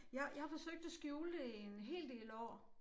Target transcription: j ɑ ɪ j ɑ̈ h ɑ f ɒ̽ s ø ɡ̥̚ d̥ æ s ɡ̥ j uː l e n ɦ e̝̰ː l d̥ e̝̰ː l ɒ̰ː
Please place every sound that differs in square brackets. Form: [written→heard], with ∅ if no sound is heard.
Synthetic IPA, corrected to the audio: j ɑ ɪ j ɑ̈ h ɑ f ɒ̽ s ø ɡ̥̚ d̥ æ s ɡ̥ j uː l e n ɦ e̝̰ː l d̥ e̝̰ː l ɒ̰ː